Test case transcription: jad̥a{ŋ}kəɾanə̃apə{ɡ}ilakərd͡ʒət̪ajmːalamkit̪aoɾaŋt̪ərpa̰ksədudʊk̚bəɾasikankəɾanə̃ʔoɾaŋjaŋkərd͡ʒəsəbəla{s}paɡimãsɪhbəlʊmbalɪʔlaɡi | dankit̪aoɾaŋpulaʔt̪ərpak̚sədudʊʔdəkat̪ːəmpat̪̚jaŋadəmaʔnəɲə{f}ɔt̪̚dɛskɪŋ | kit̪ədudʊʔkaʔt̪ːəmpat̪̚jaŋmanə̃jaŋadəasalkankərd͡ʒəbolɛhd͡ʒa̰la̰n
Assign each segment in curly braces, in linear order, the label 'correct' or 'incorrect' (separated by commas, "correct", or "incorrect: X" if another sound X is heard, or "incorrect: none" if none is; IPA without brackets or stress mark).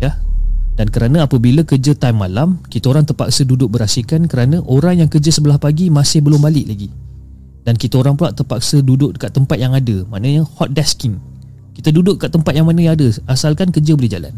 incorrect: n, incorrect: b, incorrect: h, incorrect: h